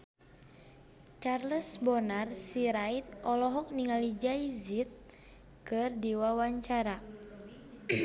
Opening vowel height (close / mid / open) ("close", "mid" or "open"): open